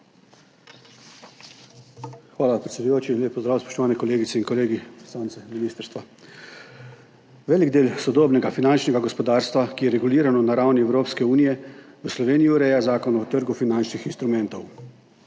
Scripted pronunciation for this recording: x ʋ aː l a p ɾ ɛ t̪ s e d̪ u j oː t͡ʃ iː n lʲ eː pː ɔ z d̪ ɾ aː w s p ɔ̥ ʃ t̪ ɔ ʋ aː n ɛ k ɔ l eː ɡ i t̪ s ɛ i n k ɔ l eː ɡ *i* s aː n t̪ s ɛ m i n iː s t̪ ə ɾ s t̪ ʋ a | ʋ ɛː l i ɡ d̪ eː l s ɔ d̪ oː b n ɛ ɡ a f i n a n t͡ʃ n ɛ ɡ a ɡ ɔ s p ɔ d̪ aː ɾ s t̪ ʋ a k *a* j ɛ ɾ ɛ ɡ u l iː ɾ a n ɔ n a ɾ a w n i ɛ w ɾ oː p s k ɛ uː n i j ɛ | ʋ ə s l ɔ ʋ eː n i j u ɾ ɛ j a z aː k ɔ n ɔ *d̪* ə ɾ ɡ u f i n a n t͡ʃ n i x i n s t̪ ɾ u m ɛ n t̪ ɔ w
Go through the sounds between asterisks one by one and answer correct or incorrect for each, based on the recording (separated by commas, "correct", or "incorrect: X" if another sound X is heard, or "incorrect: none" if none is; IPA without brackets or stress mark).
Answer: correct, incorrect: i, incorrect: t̪